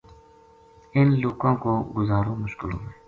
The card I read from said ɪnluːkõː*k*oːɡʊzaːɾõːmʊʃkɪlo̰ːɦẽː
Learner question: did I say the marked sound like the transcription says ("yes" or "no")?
yes